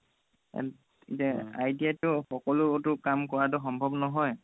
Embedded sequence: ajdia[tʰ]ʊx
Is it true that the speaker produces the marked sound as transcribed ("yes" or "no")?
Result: no